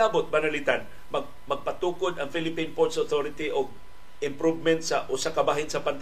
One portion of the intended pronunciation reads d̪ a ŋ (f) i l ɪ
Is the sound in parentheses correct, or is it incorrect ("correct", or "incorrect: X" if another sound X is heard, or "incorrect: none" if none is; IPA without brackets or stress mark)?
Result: correct